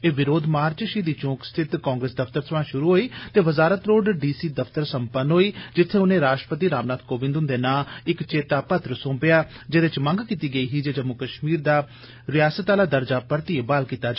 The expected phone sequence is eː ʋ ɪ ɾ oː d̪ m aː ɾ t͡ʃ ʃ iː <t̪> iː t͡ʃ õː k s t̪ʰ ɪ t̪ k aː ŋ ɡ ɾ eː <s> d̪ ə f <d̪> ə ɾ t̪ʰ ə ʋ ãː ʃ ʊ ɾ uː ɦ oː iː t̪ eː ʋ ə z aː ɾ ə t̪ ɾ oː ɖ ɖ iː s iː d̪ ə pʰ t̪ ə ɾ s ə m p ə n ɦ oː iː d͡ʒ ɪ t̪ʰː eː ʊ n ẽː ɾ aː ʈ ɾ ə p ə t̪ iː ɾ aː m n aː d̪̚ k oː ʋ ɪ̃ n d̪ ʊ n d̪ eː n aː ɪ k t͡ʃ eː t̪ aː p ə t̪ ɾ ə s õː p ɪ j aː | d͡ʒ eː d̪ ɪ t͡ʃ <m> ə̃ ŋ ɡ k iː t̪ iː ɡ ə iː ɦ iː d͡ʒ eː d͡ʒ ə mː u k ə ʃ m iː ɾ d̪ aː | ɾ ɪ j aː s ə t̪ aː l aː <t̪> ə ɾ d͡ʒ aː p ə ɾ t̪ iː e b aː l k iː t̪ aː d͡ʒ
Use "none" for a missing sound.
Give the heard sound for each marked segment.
d̪, s, t̪, m, d̪

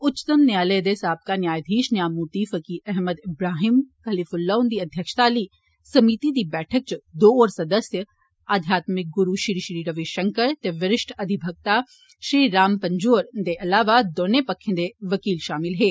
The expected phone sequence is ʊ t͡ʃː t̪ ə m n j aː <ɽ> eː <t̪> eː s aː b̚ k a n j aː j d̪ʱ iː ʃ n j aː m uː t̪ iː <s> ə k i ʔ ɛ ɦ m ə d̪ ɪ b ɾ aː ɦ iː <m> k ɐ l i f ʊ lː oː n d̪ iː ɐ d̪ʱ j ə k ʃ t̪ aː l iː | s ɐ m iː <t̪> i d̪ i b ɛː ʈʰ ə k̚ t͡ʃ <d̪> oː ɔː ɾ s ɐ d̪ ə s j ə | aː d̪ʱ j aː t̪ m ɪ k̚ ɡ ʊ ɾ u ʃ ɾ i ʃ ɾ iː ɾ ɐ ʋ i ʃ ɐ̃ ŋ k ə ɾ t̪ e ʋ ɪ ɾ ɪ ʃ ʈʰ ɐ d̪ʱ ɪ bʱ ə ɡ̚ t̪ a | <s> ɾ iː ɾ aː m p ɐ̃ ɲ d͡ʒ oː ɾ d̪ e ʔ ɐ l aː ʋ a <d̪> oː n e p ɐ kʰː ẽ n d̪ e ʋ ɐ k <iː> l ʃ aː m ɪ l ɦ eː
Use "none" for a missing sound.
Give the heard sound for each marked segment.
l, d̪, f, m, t̪, d̪, ʃ, d̪, iː

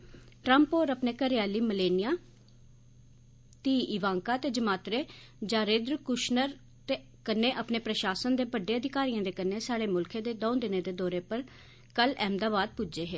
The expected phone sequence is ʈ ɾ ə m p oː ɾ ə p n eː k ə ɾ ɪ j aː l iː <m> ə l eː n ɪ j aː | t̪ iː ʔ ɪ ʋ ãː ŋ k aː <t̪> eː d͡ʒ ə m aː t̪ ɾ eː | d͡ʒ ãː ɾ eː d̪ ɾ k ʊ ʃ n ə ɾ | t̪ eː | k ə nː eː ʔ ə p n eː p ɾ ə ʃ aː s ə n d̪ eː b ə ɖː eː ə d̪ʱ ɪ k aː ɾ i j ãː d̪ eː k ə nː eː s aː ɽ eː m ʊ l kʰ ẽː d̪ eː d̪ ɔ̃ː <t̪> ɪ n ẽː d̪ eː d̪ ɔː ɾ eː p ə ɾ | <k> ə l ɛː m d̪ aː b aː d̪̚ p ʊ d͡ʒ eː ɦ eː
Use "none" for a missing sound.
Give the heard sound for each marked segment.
m, t̪, d̪, k

